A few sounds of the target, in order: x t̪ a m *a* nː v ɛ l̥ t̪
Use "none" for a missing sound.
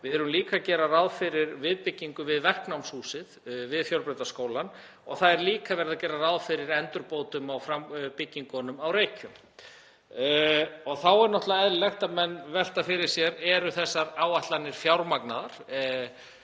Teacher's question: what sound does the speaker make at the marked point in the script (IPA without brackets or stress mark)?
ɛ